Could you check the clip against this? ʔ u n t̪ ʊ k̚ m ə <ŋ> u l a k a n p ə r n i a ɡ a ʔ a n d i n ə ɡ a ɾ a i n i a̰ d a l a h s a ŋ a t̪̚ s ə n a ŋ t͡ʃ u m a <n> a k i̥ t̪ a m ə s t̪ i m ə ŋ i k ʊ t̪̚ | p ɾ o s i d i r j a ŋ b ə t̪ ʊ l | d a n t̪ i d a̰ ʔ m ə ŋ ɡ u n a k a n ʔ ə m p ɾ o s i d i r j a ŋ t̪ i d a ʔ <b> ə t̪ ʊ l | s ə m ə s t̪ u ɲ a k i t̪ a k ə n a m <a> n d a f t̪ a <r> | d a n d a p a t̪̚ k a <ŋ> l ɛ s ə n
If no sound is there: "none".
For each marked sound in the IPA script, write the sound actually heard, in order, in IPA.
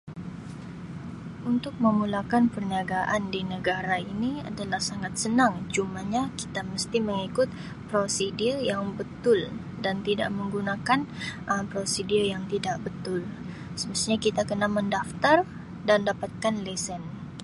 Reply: m, ɲ, b, ə, r, n

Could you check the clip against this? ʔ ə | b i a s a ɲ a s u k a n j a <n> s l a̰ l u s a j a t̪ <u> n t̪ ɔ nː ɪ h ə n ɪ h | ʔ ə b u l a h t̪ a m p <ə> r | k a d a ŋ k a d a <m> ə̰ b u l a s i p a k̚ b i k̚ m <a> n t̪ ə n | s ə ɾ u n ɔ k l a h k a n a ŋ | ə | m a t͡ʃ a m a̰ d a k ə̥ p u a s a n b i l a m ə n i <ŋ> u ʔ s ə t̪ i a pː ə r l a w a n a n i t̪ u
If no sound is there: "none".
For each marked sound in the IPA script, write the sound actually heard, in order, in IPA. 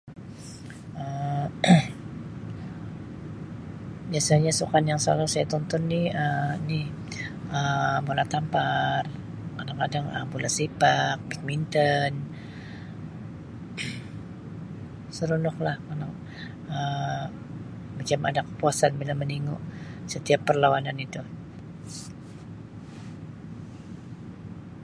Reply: ŋ, ɔ, a, ŋ, i, ŋ

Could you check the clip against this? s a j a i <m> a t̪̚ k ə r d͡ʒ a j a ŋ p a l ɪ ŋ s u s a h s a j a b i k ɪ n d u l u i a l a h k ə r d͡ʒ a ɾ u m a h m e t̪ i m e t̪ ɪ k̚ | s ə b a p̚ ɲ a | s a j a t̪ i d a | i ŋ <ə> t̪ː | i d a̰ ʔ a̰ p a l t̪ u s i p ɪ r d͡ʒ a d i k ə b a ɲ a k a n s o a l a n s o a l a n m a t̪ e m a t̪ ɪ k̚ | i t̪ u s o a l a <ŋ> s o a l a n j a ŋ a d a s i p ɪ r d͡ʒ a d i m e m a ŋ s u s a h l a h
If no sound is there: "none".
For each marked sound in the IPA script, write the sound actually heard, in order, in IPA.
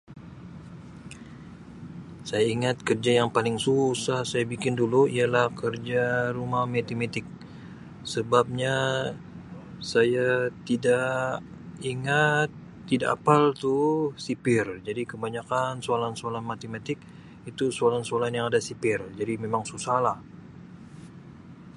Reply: ŋ, a, n

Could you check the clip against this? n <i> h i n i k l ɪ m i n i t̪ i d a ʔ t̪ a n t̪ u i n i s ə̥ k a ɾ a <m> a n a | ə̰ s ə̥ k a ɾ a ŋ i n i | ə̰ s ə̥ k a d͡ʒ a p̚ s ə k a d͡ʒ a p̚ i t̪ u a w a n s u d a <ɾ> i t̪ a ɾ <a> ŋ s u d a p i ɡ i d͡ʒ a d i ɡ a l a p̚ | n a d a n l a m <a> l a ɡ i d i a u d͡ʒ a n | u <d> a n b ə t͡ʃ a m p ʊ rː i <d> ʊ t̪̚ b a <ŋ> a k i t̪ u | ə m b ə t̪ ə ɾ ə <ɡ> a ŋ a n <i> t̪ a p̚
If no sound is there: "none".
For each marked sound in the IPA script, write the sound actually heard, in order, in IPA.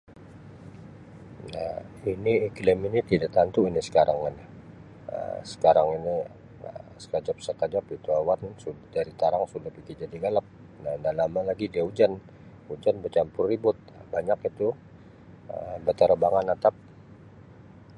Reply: a, ŋ, ɾ, a, a, d͡ʒ, b, ɲ, b, a

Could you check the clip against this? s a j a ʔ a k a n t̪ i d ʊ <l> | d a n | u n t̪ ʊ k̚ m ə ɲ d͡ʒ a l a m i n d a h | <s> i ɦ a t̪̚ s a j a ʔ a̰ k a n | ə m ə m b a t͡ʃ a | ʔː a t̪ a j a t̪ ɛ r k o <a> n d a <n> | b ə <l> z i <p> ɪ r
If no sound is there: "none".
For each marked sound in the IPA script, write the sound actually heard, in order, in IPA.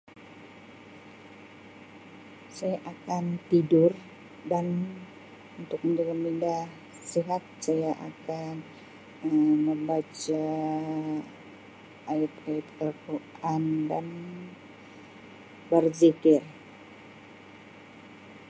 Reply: r, s, a, n, r, k

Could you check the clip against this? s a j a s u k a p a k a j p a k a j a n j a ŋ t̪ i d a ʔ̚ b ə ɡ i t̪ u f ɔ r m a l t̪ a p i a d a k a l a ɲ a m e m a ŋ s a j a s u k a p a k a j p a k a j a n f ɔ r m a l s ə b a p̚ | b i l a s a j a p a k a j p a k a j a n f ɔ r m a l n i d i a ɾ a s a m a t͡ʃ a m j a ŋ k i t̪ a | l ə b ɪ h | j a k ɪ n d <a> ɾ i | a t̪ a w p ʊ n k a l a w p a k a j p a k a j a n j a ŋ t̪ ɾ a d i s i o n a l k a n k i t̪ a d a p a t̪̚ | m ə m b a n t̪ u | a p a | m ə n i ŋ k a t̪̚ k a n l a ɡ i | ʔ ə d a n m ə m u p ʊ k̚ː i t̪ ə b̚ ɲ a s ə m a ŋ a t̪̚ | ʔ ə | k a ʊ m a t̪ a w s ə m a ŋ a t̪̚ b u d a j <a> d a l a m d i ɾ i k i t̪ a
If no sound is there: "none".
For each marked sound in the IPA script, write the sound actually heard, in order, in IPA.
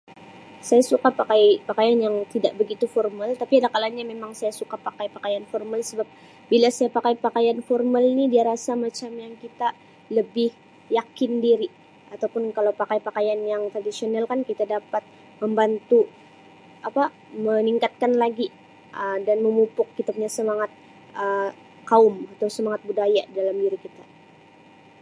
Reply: i, a

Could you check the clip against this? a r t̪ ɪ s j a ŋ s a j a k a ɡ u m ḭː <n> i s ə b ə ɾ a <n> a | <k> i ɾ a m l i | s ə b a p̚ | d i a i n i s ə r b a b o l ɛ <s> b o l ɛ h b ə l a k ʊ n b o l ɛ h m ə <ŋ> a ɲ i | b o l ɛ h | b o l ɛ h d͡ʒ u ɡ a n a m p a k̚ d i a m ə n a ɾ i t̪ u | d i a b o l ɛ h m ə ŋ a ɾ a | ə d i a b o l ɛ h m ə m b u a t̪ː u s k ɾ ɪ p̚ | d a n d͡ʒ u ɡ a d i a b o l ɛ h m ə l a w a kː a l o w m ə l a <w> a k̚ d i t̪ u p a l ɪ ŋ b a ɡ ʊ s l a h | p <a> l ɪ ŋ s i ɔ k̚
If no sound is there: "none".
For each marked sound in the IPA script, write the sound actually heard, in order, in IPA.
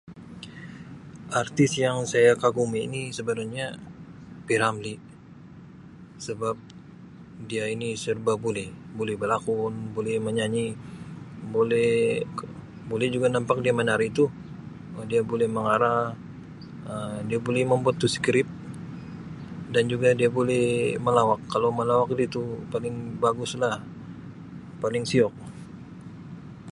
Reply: n, ɲ, p, h, ɲ, w, a

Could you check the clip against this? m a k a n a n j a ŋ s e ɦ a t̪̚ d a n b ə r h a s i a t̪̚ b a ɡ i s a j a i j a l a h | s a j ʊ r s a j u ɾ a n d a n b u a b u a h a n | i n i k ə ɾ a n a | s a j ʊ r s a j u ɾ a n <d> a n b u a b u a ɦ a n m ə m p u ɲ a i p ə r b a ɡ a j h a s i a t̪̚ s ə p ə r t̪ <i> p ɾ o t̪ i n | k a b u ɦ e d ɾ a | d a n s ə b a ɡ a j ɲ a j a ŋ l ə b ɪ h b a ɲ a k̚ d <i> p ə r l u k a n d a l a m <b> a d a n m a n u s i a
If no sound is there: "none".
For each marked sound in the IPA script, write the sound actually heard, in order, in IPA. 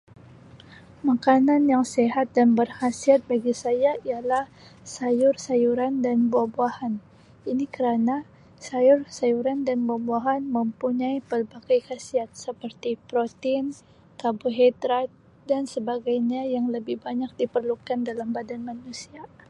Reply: d, i, i, b

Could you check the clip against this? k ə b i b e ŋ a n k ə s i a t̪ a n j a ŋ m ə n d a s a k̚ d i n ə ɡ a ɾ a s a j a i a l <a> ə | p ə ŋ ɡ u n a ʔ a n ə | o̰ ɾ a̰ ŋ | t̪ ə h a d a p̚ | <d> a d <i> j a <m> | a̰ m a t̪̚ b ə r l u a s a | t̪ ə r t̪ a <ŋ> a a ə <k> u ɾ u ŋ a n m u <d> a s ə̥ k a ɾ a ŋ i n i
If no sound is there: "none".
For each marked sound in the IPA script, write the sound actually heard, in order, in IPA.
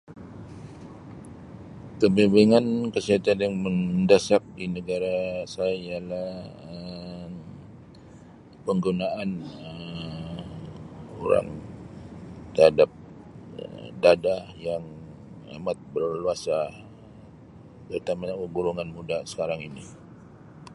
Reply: a, d, a, ŋ, m, ɡ, d

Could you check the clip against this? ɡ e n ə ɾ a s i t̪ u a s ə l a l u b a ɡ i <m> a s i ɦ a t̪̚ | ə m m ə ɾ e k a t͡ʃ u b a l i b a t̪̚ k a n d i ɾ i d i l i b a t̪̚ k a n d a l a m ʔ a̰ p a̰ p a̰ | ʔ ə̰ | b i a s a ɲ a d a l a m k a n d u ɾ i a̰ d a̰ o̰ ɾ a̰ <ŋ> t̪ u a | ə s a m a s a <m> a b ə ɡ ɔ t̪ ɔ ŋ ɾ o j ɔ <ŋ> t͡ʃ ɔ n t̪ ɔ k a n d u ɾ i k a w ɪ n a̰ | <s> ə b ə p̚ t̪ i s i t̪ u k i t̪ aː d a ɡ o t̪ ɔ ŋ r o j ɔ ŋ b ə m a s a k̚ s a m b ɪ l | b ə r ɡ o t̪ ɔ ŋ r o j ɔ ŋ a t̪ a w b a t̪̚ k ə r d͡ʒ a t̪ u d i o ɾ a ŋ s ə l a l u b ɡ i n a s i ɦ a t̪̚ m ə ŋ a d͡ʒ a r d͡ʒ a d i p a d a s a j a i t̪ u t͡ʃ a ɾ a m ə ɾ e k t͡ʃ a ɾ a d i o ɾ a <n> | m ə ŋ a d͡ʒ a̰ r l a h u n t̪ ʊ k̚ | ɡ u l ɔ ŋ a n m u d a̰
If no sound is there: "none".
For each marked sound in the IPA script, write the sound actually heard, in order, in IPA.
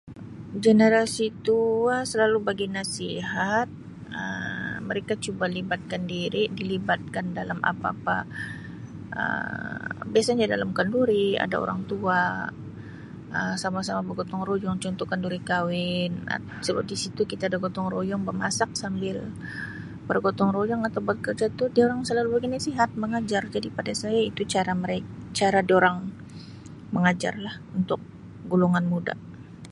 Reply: n, ŋ, m, ŋ, s, ŋ

